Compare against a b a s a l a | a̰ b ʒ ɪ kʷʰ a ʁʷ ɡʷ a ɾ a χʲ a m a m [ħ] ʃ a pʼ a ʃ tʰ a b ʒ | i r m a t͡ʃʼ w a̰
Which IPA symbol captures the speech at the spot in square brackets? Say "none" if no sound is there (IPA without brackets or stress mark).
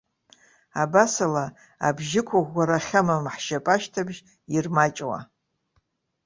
ħ